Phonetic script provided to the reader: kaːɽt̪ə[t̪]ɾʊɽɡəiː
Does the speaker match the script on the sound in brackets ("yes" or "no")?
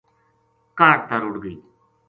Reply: no